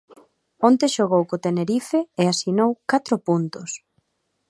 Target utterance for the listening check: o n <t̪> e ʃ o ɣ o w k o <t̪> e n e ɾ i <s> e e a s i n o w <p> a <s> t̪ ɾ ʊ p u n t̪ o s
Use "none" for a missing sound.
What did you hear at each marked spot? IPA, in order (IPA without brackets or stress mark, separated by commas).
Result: t̪, t̪, f, k, none